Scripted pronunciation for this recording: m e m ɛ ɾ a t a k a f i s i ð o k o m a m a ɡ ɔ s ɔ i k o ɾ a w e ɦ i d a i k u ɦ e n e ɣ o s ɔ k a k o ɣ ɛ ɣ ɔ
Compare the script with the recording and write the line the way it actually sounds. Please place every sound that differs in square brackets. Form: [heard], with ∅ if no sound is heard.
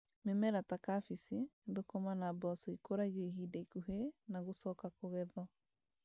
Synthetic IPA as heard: m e m ɛ ɾ a t a k a f i s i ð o k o m a [n] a [b] ɔ s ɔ i k o ɾ a [ɣ] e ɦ i d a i k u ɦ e n [a] ɣ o s ɔ k a k o ɣ ɛ [ð] ɔ

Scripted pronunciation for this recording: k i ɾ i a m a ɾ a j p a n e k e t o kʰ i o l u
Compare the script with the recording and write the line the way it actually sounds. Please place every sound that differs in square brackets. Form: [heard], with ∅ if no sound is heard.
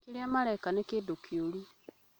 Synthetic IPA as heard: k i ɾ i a m a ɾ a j [k] a n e k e [d] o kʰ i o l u

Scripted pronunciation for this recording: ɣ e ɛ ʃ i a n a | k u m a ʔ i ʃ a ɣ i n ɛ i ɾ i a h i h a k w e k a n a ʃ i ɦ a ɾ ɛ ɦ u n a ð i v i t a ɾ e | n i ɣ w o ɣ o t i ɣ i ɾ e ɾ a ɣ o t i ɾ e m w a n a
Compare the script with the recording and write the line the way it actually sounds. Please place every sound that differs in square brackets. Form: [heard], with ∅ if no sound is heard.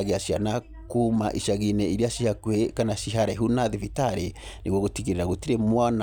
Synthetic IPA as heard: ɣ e [a] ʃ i a n a | k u m a ʔ i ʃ a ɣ i n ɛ i ɾ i a [ʃ] i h a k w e k a n a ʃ i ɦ a ɾ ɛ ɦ u n a ð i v i t a ɾ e | n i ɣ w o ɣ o t i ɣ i ɾ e ɾ a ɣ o t i ɾ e m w a n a

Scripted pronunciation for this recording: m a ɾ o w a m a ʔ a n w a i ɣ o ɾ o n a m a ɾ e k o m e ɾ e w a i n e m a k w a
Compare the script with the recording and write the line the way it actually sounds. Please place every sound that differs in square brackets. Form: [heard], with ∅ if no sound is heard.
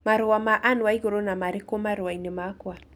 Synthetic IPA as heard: m a ɾ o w a m a ʔ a n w a i ɣ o ɾ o n a m a ɾ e k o m [a] ɾ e w a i n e m a k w a

